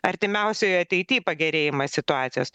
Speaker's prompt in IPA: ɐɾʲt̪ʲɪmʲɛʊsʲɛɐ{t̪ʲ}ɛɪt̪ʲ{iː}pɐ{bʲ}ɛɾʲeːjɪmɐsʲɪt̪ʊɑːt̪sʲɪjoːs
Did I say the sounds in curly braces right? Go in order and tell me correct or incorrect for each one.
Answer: correct, correct, incorrect

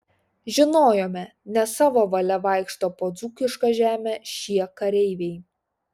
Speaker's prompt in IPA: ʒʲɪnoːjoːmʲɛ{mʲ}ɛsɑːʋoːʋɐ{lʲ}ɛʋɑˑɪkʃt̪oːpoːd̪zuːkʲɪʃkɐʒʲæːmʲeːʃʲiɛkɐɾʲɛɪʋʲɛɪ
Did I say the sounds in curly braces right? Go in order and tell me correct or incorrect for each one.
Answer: incorrect, correct

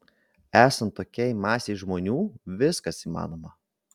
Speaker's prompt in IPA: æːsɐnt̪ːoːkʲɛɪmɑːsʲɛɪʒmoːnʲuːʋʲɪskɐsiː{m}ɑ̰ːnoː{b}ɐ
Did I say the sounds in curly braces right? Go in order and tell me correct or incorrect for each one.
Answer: correct, incorrect

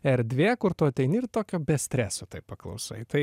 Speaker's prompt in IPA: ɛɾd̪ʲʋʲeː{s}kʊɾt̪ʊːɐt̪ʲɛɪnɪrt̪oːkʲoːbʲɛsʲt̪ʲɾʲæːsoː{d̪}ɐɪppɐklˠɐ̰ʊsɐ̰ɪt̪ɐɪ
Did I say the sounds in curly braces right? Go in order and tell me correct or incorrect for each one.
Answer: incorrect, incorrect

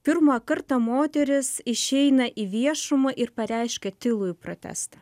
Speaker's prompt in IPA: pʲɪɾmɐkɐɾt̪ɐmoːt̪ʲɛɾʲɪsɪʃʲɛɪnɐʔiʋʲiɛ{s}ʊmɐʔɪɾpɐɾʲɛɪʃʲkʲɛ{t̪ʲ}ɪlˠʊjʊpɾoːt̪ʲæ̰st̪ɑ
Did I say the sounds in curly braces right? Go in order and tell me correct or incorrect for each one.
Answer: incorrect, correct

